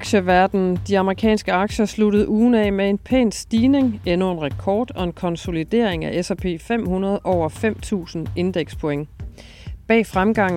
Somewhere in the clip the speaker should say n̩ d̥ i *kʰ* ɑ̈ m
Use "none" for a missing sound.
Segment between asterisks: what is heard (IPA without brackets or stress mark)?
none